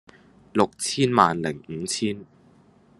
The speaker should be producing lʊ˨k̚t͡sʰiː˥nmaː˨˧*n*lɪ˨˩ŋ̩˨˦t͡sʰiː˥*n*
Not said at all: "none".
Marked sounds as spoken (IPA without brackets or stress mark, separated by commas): n, n